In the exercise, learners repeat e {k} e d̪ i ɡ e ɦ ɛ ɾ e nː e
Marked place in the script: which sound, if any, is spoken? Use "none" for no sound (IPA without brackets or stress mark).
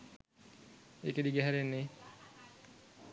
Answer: k